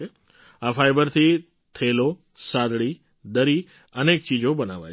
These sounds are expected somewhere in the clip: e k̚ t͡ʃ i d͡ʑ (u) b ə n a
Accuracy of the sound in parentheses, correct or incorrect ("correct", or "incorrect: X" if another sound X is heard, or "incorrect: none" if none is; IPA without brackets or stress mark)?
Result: incorrect: o